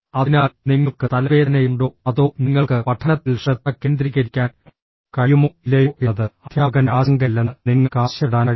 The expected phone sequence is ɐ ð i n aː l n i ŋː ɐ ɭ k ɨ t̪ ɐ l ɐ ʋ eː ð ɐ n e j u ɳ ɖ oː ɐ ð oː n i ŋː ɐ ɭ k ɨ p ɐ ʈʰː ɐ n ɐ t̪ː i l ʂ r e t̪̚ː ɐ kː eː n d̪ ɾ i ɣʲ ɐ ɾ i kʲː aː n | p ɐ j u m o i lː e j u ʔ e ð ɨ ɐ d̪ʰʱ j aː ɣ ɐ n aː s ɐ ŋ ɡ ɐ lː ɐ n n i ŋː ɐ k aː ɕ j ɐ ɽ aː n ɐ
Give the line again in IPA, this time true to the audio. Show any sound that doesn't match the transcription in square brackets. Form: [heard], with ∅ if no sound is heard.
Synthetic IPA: ɐ ð i n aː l n i ŋː ɐ ɭ k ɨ t̪ ɐ l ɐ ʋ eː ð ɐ n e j u ɳ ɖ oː ɐ ð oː n i ŋː ɐ ɭ k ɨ p ɐ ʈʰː ɐ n ɐ t̪ː i l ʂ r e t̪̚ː ɐ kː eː n d̪ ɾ i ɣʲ ɐ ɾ i kʲː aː n | [k] ɐ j u m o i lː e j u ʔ e ð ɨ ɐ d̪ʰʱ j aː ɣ ɐ n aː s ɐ ŋ ɡ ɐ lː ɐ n n i ŋː ɐ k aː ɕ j ɐ ɽ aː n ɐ

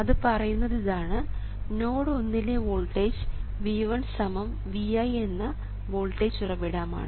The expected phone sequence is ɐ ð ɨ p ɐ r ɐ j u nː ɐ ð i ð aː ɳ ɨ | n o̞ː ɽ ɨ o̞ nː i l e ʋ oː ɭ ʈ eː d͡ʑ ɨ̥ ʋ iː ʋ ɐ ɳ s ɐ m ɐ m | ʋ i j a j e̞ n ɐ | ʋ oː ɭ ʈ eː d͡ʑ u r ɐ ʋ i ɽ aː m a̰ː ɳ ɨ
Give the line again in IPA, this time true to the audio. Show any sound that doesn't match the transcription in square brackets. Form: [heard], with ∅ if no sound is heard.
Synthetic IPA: ɐ ð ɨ p ɐ r ɐ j u nː ɐ ð i ð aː ɳ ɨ | n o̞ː ɽ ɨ o̞ nː i l e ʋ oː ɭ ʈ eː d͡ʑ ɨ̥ ʋ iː ʋ ɐ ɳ s ɐ m ɐ m | ʋ i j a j e̞ [nː] ɐ | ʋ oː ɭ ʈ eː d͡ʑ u r ɐ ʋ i ɽ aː m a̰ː ɳ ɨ

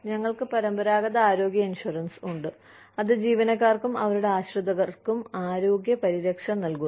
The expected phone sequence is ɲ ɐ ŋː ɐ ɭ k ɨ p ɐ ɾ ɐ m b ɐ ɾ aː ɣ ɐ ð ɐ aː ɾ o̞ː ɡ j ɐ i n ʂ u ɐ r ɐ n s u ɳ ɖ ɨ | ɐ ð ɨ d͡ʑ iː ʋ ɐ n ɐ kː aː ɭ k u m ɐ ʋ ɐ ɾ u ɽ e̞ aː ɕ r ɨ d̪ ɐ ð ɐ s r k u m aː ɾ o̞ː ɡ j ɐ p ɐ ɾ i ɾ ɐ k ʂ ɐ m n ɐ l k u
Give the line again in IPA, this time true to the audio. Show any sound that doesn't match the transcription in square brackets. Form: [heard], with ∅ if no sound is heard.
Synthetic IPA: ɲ ɐ ŋː ɐ ɭ k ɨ p ɐ ɾ ɐ m b ɐ ɾ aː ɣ ɐ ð ɐ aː ɾ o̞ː ɡ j ɐ i n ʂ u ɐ r ɐ n s u ɳ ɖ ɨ | ɐ ð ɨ d͡ʑ iː ʋ ɐ n ɐ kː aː [r] k u m ɐ ʋ ɐ ɾ u ɽ e̞ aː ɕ r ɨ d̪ ɐ [ɣ] ɐ [∅] r k u m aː ɾ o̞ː ɡ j ɐ p ɐ ɾ i ɾ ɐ k ʂ ɐ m n ɐ l k u

